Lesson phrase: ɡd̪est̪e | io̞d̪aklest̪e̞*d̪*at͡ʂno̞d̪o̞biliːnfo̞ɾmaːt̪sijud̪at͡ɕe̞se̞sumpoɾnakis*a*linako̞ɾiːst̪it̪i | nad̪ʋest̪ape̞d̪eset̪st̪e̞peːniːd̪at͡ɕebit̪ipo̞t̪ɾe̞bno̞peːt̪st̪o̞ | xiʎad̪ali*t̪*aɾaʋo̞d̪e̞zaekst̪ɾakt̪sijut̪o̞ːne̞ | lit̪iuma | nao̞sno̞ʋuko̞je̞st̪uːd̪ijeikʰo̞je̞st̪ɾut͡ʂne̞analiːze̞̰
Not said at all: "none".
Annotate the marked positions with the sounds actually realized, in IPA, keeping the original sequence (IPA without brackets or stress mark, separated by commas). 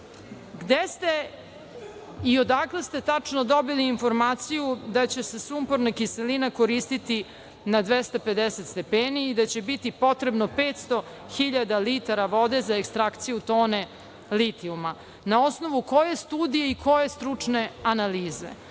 t̪, e, t̪